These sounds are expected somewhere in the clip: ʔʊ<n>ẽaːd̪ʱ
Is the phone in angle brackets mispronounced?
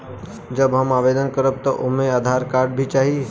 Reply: yes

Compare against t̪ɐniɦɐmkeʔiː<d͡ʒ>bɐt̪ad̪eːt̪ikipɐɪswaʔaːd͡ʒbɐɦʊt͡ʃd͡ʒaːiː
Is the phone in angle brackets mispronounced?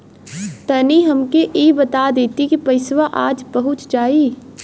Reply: yes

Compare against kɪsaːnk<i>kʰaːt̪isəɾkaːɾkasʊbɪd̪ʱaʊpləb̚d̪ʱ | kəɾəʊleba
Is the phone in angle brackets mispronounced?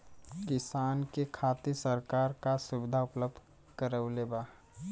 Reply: yes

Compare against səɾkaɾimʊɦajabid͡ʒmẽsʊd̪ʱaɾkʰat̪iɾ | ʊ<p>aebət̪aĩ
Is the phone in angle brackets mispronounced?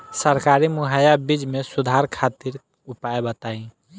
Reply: no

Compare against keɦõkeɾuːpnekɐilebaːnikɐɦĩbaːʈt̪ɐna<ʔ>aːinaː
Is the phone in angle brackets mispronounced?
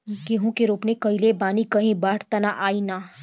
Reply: no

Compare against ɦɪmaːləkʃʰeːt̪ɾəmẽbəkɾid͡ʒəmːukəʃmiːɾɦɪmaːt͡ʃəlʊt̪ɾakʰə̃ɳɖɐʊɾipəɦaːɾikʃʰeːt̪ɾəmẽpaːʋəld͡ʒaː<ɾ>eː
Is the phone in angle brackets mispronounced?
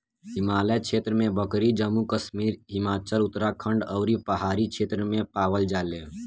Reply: yes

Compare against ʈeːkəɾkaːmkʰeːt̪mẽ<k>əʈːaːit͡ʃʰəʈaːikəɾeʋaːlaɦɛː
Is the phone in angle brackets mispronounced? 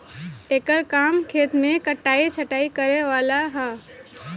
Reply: no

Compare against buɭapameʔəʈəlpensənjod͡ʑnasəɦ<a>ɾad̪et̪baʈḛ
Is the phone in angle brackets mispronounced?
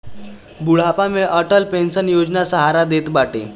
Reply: no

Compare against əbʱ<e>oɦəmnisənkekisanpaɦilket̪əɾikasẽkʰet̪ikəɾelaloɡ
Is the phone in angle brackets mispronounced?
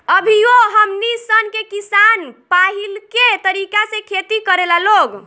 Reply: yes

